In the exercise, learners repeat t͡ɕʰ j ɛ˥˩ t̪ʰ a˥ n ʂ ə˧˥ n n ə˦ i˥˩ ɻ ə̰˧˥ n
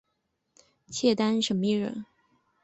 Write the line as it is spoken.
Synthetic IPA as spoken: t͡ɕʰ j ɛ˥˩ t̪ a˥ n ʂ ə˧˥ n m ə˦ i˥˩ ɻ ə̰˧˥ n